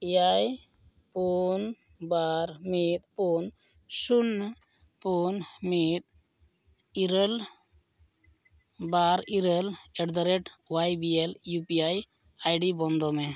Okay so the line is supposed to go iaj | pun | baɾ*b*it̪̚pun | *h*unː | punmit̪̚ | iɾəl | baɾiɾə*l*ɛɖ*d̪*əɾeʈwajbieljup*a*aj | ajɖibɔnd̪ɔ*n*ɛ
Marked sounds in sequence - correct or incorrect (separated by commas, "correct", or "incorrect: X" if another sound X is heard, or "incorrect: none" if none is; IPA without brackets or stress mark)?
incorrect: m, incorrect: s, correct, correct, incorrect: i, incorrect: m